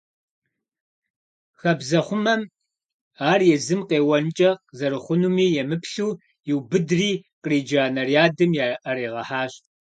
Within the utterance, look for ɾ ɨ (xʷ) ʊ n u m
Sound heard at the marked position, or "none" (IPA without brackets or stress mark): χʷ